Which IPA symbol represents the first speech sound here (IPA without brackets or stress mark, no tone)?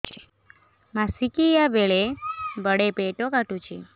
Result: m